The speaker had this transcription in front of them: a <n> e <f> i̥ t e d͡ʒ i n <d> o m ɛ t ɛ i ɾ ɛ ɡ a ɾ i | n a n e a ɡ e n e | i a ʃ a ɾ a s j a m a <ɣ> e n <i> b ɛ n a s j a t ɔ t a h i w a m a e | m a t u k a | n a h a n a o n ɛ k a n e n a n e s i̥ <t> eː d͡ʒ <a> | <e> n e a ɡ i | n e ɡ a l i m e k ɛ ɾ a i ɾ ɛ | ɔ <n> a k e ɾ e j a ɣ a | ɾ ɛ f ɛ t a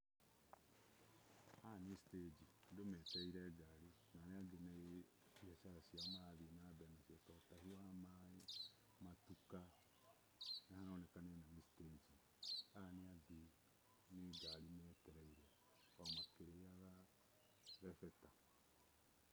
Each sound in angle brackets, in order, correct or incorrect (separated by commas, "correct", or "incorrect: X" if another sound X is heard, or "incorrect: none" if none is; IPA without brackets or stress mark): correct, incorrect: s, correct, incorrect: ð, incorrect: a, correct, incorrect: i, incorrect: a, incorrect: m